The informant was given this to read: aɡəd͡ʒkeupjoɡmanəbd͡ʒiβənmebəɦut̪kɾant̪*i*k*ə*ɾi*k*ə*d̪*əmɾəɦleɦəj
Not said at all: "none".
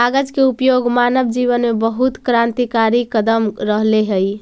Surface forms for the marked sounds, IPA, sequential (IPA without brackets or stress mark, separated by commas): i, a, k, d̪